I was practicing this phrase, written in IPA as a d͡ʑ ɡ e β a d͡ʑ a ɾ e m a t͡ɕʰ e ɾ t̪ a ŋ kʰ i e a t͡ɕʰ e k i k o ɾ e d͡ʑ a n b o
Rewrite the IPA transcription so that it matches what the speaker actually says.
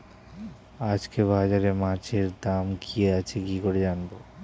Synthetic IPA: a d͡ʑ k e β a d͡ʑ a ɾ e m a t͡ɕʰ e ɾ d̪ a m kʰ i e a t͡ɕʰ e k i k o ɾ e d͡ʑ a n b o